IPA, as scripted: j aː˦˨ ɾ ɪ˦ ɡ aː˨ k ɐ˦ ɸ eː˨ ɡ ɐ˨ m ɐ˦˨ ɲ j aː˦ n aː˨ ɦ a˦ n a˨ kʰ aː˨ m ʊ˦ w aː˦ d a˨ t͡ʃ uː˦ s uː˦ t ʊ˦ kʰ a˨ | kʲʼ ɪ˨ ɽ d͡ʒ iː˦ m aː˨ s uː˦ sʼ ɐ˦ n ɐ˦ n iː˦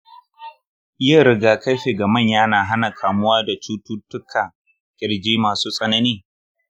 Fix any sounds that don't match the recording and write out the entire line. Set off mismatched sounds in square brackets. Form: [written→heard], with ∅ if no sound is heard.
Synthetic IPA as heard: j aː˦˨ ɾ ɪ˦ ɡ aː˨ k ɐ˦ ɸ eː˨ ɡ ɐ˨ m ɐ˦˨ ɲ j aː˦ n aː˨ ɦ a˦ n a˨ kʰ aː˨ m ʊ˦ w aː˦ d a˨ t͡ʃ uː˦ [s→t] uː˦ t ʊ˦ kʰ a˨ | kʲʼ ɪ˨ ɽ d͡ʒ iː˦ m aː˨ s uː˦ sʼ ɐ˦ n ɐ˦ n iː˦